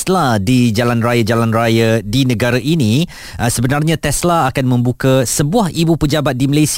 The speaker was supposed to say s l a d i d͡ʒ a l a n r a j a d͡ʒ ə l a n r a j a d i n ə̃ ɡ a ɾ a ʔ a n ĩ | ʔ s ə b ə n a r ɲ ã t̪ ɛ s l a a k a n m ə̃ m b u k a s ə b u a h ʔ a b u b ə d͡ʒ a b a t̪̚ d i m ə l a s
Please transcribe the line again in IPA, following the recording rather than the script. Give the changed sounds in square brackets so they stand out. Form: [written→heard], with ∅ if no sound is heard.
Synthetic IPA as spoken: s l a d i d͡ʒ a l a n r a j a d͡ʒ [ə→a] l a n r a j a d i n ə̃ ɡ a ɾ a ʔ [a→i] n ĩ | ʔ s ə b ə n a r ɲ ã t̪ ɛ s l a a k a n m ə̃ m b u k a s ə b u a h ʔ [a→i] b u [b→p] ə d͡ʒ a b a t̪̚ d i m ə l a s